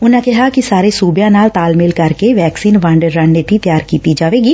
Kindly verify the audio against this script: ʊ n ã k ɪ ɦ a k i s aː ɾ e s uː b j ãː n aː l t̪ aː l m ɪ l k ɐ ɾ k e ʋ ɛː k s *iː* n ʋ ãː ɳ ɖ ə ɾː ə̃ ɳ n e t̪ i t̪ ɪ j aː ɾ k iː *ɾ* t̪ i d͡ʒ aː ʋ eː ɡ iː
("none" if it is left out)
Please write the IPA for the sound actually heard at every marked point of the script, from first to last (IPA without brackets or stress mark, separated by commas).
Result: iː, none